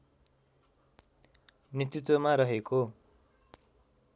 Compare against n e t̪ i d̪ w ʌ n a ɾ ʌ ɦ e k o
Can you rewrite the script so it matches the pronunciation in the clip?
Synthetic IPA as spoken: n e t̪ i t̪ w ʌ m a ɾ ʌ ɦ e k o